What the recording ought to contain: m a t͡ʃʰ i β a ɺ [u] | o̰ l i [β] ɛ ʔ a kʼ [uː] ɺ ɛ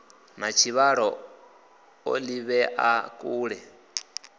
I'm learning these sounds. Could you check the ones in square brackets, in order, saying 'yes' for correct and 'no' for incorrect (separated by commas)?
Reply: no, yes, yes